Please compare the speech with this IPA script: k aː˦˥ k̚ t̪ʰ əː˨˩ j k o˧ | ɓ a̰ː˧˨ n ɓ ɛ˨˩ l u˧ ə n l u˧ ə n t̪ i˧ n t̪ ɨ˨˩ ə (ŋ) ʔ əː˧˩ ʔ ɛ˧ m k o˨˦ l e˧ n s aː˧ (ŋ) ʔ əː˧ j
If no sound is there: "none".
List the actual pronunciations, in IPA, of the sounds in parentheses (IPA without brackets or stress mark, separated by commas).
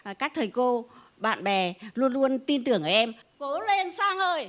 ŋ, ŋ